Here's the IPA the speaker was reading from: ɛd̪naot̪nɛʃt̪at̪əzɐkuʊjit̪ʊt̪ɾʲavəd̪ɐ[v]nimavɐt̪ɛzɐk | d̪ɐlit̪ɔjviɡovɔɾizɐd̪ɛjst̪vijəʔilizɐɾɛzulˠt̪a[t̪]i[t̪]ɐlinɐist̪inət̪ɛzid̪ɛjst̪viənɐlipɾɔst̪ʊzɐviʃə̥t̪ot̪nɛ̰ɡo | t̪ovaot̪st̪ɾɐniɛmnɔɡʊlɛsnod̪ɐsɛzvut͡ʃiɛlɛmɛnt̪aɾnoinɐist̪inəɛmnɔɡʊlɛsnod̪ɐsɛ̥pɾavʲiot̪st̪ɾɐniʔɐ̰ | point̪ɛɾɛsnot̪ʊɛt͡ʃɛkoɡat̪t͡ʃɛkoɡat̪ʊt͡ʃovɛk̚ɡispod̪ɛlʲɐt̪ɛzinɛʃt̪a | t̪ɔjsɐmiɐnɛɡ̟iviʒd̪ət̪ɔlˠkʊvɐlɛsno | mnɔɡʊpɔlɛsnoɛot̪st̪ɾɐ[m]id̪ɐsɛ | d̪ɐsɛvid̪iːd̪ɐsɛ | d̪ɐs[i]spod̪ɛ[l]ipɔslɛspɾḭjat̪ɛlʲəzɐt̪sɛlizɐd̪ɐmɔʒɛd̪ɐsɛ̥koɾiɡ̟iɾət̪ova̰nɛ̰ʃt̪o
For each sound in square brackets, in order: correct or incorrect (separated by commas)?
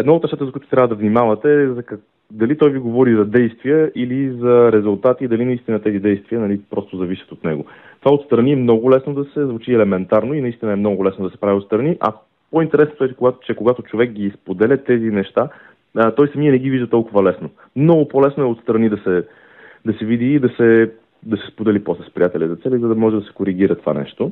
correct, correct, incorrect, incorrect, incorrect, correct